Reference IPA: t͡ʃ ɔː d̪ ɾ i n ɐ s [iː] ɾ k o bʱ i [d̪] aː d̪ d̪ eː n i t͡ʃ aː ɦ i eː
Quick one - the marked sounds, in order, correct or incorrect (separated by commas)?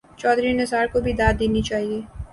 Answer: incorrect, correct